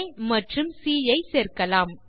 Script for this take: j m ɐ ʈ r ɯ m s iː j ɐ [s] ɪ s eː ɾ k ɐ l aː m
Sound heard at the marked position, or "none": none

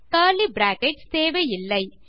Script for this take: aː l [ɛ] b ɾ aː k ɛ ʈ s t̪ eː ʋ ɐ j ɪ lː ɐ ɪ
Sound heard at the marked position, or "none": i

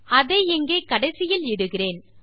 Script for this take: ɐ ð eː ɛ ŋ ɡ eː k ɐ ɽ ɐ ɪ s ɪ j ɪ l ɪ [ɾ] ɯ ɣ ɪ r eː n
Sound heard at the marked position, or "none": ɽ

